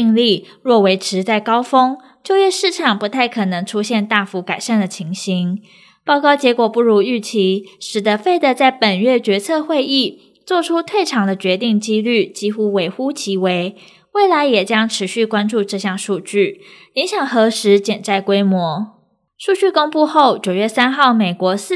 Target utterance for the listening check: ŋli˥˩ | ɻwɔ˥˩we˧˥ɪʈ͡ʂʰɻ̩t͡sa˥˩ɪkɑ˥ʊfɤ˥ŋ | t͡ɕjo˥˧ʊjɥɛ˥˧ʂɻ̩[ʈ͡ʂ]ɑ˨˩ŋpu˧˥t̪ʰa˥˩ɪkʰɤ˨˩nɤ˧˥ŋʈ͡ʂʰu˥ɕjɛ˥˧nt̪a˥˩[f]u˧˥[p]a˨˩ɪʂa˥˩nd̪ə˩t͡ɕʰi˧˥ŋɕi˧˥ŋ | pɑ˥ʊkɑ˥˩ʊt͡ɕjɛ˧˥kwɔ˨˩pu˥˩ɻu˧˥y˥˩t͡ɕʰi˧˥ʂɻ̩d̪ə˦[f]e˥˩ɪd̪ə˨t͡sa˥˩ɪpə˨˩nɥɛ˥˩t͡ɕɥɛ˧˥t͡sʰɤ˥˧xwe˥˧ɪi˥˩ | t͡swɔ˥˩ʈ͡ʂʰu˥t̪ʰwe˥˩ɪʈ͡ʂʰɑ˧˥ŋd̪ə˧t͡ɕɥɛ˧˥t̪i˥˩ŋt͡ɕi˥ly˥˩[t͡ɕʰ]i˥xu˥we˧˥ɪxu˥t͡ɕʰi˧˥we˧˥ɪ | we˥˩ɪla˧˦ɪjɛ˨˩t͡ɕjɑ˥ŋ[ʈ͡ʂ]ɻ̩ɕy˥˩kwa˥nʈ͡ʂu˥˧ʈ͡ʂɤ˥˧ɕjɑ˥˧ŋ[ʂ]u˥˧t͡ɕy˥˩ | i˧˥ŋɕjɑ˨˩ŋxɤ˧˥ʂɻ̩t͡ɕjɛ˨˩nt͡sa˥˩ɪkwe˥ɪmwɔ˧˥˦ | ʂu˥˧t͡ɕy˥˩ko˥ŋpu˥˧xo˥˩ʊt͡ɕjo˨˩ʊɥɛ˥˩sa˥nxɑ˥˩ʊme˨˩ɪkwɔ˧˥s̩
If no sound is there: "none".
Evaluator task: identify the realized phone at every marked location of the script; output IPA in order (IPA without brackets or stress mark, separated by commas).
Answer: ʈ͡ʂʰ, f, k, f, t͡ɕ, ʈ͡ʂʰ, ʂ